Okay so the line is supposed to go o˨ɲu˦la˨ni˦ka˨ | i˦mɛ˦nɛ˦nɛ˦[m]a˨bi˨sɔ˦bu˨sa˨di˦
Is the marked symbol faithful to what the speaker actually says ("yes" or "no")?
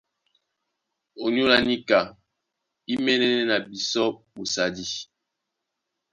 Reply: no